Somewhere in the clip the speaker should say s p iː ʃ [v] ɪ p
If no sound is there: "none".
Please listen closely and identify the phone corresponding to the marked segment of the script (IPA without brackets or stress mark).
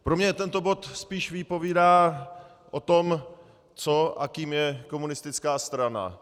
v